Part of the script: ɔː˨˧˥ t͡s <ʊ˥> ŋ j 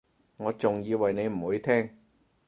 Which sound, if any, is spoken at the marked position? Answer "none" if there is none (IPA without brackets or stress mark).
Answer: ʊ˨˩